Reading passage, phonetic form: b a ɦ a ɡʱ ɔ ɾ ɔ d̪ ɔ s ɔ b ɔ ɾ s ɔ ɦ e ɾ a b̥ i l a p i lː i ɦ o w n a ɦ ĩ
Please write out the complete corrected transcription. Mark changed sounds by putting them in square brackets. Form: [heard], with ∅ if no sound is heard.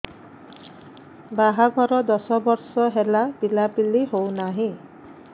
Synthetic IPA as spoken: b a ɦ a ɡʱ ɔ ɾ ɔ d̪ ɔ s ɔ b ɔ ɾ s ɔ ɦ e [l] a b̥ i l a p i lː i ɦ o w n a ɦ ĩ